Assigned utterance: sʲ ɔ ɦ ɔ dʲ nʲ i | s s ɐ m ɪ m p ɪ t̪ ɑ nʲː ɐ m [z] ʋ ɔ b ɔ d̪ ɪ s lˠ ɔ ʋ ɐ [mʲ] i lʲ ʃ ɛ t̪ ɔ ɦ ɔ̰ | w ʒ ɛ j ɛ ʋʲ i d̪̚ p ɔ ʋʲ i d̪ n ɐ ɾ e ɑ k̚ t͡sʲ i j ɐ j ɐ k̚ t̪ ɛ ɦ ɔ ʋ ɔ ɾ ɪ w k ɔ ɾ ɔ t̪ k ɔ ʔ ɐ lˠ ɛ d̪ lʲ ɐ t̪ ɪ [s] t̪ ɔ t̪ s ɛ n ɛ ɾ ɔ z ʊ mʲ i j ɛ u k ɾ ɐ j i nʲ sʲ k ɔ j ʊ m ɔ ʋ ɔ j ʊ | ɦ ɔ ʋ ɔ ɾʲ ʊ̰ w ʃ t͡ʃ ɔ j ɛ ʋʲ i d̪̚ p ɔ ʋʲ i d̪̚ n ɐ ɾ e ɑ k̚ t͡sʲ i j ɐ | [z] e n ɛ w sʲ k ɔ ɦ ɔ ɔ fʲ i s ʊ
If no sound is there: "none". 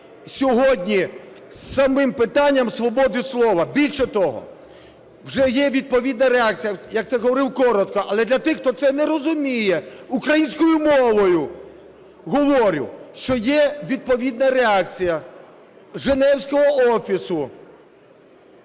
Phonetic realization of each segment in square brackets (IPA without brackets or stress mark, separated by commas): s, bʲ, x, ʒ